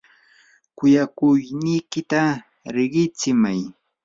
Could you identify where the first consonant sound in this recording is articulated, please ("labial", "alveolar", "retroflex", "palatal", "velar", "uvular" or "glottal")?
velar